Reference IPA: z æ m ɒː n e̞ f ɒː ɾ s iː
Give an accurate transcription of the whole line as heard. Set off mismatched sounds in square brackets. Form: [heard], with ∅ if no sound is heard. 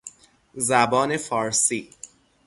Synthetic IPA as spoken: z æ [b] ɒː n e̞ f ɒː ɾ s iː